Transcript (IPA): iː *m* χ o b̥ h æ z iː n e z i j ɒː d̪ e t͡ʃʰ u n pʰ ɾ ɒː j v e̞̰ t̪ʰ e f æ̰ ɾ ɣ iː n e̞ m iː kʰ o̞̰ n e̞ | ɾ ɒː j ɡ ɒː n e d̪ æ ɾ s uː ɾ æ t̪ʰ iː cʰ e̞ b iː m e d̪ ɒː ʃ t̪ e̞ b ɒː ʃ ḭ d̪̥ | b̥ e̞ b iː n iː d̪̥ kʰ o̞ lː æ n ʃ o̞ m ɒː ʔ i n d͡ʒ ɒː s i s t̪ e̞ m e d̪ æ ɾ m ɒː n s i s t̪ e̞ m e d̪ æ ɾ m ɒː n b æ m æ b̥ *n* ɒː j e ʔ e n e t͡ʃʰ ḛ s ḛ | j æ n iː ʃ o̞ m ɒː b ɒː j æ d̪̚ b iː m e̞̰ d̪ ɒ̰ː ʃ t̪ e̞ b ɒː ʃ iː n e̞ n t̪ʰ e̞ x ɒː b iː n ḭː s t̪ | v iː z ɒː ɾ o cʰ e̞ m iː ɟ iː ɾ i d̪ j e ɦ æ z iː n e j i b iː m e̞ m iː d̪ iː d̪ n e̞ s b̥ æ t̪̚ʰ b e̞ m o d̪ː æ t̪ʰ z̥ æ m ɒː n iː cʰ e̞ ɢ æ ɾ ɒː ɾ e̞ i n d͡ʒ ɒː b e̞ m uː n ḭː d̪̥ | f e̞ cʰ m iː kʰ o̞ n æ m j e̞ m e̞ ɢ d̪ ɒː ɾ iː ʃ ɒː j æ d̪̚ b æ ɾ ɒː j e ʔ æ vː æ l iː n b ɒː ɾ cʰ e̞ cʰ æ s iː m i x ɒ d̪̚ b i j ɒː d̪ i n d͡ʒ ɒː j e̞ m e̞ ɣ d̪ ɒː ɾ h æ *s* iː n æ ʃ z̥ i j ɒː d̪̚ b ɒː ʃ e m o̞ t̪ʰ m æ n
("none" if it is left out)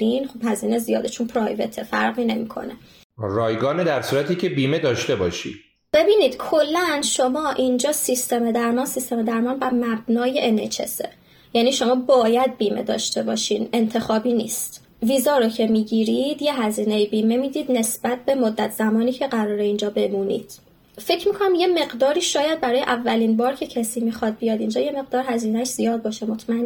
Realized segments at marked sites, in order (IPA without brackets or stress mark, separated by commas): n, n, z